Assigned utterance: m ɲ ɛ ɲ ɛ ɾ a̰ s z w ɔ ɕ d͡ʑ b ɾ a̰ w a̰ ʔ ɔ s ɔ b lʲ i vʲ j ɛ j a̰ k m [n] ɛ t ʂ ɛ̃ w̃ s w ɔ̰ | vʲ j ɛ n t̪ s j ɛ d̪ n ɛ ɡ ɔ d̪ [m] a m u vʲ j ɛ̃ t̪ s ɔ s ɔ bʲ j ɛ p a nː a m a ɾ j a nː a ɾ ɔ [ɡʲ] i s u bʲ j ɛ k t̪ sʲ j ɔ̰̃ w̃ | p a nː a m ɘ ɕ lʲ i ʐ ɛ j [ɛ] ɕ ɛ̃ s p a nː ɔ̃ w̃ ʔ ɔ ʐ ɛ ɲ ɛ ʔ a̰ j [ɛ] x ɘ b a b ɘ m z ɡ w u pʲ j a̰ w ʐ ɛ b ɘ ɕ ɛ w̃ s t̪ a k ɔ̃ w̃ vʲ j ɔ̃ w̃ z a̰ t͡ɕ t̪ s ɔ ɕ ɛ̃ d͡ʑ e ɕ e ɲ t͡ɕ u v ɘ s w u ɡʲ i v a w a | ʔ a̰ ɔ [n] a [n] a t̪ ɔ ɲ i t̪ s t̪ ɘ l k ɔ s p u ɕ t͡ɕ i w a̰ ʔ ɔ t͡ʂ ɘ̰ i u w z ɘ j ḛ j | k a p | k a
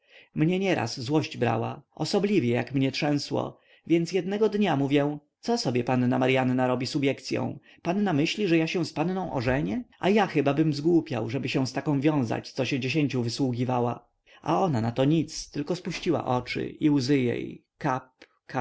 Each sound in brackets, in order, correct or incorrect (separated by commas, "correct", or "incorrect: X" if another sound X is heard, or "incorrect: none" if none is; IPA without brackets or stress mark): incorrect: ɲ, incorrect: ɲ, incorrect: bʲ, incorrect: a, incorrect: a, correct, correct